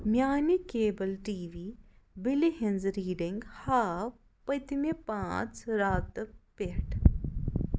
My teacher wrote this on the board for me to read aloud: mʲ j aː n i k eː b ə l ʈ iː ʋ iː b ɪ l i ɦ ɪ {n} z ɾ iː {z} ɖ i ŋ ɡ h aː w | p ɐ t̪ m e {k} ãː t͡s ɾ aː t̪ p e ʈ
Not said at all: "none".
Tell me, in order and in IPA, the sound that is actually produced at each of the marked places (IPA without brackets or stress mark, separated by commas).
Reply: n, none, p